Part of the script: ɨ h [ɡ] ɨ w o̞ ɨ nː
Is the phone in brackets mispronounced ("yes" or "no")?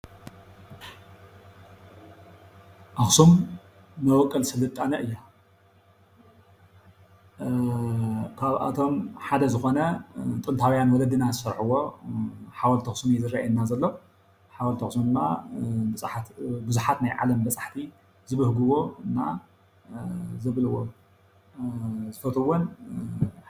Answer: no